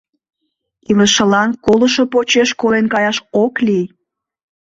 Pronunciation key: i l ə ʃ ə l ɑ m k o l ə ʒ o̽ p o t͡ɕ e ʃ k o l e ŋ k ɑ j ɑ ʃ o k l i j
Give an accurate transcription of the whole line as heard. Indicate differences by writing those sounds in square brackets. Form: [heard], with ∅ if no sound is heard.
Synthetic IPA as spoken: i l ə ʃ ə l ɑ [n] k o l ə [ʃ] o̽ p o t͡ɕ e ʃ k o l e [n] k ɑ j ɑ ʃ o k l i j